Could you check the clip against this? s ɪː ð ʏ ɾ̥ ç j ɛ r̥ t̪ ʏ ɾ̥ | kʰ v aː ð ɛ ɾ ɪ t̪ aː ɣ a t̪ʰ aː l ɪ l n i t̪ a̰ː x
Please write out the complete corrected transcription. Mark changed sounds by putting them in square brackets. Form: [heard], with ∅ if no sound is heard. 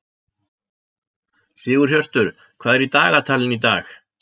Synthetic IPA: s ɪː [ɣ] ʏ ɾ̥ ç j [œ] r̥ t̪ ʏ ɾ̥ | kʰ v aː ð ɛ ɾ [i] t̪ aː ɣ a t̪ʰ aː l ɪ [∅] n i t̪ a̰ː x